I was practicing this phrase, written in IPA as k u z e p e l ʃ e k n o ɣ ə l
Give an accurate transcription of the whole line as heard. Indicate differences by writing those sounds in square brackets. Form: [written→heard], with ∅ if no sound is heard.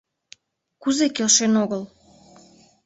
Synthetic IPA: k u z e [p→k] e l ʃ e [k→∅] n o ɣ ə l